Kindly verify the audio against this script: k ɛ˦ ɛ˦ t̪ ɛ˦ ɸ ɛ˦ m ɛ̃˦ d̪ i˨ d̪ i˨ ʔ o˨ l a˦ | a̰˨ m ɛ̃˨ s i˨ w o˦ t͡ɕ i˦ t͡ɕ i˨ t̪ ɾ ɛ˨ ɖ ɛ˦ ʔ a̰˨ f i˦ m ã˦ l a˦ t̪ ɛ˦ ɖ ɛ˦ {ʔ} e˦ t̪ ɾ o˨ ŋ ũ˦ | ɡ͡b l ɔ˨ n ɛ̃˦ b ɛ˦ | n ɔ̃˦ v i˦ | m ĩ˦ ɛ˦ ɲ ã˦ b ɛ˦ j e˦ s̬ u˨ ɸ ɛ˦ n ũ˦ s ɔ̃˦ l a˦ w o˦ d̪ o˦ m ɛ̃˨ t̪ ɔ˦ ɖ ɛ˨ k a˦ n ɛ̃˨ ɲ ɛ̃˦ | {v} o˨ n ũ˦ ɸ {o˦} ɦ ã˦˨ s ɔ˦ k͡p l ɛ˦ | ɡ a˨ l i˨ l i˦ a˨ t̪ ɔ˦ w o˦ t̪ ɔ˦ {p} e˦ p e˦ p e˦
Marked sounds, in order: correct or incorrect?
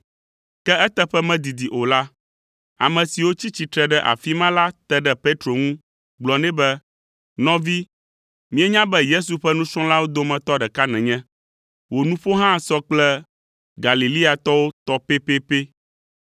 incorrect: p, incorrect: w, correct, correct

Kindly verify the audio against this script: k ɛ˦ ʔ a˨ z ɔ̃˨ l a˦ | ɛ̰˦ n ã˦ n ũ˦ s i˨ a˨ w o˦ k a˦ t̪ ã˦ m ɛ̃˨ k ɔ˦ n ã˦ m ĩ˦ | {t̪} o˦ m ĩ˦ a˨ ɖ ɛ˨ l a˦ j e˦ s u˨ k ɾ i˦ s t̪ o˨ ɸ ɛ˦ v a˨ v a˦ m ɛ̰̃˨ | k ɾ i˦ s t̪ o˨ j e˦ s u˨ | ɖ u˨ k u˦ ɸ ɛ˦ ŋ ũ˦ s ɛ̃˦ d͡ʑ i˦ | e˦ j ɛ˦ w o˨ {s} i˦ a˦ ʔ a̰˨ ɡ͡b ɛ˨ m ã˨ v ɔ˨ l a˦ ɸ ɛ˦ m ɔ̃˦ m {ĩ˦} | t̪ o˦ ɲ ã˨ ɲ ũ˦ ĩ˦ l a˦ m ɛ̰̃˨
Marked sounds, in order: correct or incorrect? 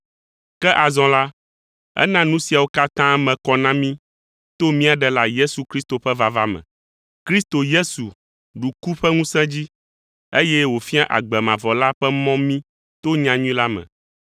correct, incorrect: f, correct

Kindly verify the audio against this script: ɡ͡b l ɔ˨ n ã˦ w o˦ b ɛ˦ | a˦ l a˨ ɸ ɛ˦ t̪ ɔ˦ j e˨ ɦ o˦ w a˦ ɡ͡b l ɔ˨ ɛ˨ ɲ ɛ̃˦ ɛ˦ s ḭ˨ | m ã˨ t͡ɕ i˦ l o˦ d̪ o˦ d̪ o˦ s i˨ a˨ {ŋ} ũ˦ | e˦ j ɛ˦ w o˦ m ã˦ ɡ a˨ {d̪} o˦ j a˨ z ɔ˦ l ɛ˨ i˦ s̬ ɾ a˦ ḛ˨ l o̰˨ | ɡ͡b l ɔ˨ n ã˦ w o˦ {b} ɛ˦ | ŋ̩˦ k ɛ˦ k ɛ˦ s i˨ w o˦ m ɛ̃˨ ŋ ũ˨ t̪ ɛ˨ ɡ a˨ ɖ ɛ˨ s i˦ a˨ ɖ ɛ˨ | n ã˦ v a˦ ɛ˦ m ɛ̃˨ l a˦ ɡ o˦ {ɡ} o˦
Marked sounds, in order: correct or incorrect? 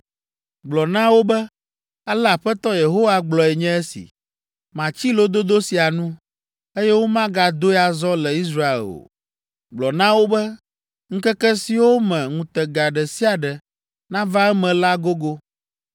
incorrect: n, correct, correct, correct

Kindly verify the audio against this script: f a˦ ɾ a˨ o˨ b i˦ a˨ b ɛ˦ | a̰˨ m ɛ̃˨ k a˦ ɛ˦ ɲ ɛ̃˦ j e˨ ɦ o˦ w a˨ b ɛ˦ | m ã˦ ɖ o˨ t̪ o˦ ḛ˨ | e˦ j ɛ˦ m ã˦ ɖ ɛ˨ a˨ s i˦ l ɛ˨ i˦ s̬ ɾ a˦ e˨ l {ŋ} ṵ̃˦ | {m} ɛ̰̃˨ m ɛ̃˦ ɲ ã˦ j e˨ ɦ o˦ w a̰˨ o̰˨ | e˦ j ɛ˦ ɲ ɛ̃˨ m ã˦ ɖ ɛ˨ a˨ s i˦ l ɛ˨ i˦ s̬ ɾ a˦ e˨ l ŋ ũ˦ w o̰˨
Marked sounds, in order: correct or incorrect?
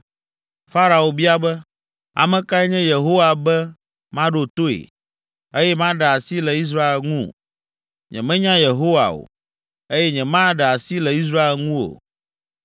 correct, incorrect: ɲ

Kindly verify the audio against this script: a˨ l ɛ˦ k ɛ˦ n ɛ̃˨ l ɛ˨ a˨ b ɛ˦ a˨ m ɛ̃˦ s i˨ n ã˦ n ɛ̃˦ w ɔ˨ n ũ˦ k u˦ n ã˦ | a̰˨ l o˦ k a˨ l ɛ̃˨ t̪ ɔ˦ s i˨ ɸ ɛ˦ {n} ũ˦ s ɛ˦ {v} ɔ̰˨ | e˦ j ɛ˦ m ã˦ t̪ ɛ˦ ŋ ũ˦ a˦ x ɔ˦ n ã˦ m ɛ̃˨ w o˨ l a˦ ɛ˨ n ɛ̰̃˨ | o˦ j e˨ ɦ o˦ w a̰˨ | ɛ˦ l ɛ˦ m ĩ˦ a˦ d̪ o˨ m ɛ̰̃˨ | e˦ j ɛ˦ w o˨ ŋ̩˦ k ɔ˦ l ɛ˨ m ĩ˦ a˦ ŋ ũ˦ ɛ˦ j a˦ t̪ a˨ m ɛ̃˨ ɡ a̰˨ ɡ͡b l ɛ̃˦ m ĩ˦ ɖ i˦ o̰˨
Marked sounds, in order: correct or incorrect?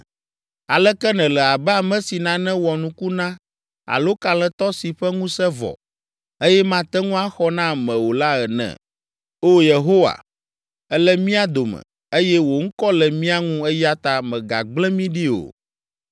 incorrect: ŋ, correct

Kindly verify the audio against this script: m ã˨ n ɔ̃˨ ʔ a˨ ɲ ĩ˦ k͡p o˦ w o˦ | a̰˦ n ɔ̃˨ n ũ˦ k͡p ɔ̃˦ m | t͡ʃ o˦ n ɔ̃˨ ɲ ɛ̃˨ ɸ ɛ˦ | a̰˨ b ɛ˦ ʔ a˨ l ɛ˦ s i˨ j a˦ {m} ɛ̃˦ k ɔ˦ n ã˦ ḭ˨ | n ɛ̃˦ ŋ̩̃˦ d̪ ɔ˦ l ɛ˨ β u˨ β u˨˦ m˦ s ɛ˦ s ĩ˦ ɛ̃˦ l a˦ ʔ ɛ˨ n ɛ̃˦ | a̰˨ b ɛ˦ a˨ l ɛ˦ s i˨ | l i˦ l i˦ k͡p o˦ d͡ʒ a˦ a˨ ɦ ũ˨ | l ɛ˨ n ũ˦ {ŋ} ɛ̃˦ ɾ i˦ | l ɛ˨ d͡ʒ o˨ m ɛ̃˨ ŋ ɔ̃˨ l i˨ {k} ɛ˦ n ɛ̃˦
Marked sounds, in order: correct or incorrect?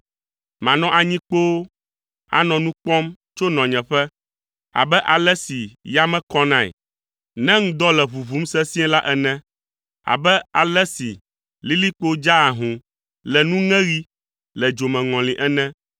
correct, correct, incorrect: ʔ

